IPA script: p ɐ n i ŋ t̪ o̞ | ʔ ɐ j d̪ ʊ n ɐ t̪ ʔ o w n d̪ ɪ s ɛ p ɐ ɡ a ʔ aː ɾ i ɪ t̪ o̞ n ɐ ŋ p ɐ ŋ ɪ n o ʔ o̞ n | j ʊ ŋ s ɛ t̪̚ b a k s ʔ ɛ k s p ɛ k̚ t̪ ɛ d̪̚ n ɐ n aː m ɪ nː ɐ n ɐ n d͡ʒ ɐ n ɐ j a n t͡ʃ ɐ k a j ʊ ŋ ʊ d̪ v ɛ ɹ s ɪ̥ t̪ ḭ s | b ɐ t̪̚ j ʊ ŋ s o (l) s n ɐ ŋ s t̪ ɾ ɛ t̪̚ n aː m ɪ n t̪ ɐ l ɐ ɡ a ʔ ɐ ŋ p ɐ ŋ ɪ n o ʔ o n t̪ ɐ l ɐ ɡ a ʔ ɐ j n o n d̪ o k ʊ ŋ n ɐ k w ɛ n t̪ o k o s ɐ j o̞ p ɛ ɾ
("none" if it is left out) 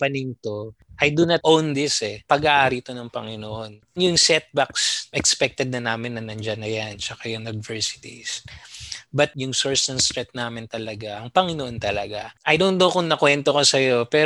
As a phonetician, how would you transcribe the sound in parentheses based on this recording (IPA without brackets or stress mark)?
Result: ɹ